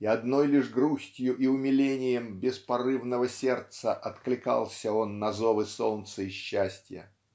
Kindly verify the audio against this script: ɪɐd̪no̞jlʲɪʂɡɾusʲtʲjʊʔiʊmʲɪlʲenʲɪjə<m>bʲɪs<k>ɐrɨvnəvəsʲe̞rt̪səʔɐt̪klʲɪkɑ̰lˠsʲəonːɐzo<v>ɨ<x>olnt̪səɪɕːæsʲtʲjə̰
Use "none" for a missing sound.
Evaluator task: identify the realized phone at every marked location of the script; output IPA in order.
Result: m, p, v, s

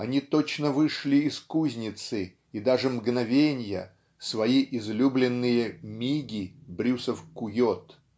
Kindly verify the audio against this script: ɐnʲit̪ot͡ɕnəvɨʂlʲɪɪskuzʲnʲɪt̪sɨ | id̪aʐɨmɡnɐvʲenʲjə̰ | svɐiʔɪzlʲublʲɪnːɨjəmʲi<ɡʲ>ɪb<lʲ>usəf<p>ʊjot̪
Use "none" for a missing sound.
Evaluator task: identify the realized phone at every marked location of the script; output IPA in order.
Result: ɡʲ, ɾʲ, k

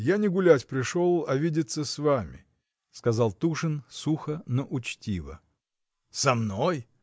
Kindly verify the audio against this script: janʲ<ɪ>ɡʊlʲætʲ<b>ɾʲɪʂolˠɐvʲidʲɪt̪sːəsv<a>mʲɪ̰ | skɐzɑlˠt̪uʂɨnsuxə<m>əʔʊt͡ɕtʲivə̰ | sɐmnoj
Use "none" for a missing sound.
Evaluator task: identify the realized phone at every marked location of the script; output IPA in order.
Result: ɪ, p, a, n

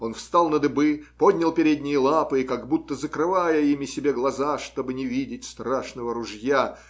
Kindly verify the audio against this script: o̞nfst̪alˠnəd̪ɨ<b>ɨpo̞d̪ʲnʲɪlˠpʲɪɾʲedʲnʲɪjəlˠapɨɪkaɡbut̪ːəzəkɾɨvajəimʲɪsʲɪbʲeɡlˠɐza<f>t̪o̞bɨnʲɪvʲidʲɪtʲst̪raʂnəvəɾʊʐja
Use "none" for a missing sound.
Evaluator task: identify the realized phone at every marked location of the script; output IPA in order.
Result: b, ʂ

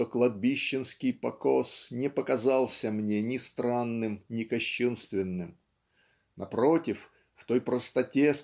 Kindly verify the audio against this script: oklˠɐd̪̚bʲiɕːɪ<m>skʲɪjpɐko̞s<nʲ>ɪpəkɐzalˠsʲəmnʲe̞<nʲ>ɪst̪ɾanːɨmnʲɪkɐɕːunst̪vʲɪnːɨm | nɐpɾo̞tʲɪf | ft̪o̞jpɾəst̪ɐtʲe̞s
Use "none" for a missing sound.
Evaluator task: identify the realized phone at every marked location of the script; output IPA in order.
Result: n, nʲ, nʲ

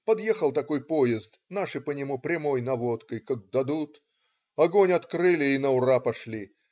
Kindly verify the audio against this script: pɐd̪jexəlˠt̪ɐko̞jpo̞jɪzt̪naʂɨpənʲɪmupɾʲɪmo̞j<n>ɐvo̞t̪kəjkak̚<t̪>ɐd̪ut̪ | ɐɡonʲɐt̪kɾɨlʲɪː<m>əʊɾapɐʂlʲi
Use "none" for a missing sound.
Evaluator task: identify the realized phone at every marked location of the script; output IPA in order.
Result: n, d̪, n

